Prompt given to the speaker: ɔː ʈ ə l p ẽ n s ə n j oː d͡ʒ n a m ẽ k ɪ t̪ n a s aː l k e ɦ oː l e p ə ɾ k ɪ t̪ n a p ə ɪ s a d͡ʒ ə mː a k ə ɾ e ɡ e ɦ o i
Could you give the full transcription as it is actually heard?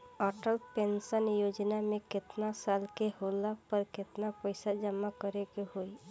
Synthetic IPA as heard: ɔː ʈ ə l p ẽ n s ə n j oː d͡ʒ n a m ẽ k ɪ t̪ n a s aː l k e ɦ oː l a p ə ɾ k ɪ t̪ n a p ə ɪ s a d͡ʒ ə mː a k ə ɾ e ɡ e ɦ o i